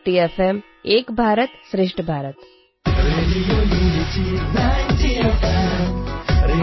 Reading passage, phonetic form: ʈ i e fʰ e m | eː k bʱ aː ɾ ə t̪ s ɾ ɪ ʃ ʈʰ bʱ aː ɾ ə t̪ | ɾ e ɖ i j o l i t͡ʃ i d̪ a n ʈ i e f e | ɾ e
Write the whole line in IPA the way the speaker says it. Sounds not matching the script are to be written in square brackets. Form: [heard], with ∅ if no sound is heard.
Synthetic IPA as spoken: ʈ i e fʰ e m | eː k bʱ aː ɾ ə t̪ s ɾ ɪ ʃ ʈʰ bʱ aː ɾ ə t̪ | ɾ e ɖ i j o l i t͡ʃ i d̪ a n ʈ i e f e | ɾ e